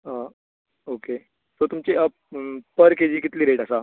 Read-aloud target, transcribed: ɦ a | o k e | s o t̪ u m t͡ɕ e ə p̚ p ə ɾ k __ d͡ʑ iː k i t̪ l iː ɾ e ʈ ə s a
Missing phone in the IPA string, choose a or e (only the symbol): e